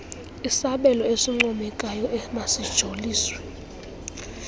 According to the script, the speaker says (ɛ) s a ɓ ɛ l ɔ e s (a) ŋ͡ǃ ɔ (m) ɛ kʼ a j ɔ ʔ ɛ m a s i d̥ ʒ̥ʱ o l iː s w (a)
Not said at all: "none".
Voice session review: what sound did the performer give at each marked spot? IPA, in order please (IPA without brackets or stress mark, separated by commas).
i, i, m, ɛ